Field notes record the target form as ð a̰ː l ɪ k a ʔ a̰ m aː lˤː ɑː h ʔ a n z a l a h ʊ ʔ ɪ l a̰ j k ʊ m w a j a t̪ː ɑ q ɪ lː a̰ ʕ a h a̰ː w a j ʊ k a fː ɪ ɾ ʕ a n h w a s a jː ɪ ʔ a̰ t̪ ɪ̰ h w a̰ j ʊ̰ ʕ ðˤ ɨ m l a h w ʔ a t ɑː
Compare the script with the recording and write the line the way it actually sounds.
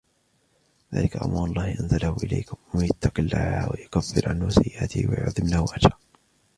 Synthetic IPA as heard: ð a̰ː l ɪ k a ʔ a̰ m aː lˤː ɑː h ʔ a n z a l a h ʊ ʔ ɪ l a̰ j k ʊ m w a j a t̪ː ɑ q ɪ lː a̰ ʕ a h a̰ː w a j ʊ k a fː ɪ ɾ ʕ a n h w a s a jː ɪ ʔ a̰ t̪ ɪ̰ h w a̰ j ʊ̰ ʕ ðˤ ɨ m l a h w ʔ a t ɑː